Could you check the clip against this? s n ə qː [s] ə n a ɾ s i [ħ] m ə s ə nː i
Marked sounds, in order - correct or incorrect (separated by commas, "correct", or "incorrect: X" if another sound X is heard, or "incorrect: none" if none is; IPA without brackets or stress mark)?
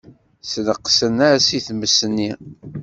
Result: correct, incorrect: θ